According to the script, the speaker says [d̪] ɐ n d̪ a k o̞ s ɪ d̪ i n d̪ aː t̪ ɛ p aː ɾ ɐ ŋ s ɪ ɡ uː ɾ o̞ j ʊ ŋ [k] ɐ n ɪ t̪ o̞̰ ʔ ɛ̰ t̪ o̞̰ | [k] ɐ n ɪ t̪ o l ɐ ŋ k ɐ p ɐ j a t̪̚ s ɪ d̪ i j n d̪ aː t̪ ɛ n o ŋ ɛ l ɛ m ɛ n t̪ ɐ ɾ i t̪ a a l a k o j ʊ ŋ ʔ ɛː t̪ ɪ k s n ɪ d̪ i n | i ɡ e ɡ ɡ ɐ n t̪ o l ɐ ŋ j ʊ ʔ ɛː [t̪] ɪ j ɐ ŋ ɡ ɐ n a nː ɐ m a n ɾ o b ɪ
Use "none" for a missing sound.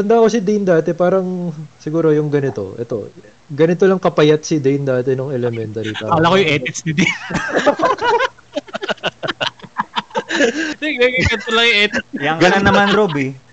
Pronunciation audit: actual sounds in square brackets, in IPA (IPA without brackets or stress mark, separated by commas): t̪, ɡ, ɡ, t̪